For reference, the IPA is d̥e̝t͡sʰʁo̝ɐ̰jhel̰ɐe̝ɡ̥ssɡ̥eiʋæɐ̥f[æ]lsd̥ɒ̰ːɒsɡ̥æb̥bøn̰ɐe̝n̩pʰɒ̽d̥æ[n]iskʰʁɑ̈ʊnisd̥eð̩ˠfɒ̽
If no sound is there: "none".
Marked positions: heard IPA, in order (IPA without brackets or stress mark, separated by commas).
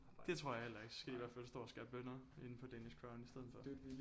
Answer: æ, n